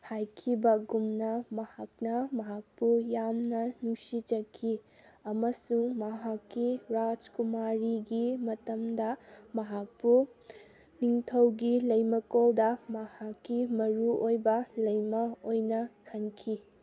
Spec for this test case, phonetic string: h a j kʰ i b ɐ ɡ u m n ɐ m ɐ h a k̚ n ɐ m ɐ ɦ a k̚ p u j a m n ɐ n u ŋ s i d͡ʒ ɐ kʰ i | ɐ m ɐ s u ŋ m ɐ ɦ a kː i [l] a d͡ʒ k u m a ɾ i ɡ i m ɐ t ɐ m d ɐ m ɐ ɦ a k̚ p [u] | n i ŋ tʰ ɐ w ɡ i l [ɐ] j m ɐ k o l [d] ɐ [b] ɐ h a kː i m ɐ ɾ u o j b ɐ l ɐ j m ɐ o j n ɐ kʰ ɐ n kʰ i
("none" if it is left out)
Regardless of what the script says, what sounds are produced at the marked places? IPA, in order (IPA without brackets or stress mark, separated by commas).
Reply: ɾ, u, ɐ, d, m